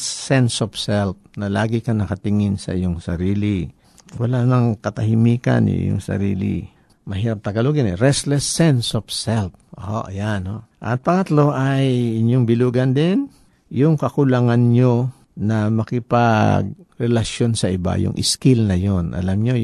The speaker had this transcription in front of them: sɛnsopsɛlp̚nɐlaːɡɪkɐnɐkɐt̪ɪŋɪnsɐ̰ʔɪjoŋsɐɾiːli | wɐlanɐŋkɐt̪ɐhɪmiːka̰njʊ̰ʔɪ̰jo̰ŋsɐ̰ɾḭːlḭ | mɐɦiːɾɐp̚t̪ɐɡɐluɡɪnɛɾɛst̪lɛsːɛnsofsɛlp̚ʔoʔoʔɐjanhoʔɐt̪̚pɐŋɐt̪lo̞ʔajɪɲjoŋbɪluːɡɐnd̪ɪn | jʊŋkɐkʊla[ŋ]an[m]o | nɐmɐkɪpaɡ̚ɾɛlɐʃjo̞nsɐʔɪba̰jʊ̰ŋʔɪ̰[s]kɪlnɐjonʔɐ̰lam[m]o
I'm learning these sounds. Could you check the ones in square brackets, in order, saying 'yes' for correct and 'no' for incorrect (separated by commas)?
yes, no, yes, no